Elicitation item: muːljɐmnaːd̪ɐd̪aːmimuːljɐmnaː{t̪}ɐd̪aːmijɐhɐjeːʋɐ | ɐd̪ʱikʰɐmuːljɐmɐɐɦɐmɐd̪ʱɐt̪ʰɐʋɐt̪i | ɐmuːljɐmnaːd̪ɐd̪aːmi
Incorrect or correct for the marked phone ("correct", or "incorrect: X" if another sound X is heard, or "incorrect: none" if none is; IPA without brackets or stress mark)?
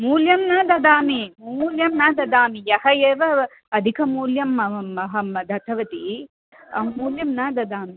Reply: incorrect: d̪